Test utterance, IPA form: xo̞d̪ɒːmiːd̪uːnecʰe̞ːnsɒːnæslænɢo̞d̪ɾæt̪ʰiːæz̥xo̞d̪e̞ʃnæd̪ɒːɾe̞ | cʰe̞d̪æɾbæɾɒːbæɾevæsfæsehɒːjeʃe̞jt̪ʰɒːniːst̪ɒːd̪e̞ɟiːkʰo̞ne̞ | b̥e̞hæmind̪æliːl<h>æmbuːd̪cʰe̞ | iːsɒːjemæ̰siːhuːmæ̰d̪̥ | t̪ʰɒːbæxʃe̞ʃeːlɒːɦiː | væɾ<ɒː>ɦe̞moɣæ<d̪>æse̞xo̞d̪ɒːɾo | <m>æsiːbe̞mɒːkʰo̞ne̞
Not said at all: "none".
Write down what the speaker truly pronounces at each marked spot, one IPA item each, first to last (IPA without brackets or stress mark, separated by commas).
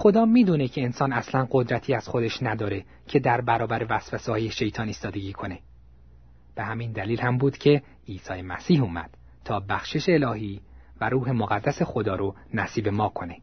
h, uː, d̪ː, n